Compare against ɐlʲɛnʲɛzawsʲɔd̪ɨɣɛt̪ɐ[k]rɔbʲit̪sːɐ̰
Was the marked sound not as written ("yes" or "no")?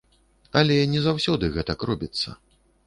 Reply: no